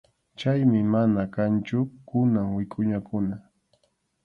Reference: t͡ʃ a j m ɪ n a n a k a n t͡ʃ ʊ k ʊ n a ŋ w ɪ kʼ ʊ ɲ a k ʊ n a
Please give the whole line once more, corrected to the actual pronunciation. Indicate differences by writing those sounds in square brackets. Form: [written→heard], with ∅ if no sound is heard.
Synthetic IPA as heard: t͡ʃ a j m ɪ [n→m] a n a k a n t͡ʃ ʊ k ʊ n a ŋ w ɪ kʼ ʊ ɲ a k ʊ n a